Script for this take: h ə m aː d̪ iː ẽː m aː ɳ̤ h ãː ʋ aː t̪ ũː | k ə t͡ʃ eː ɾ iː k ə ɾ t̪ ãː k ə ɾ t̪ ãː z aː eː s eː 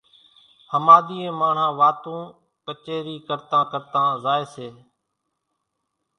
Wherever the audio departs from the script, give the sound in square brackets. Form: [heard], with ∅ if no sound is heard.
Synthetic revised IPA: h ə m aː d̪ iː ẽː m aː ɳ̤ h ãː ʋ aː t̪ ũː | k ə t͡ʃ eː ɾ iː k ə ɾ t̪ ãː k ə ɾ t̪ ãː z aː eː s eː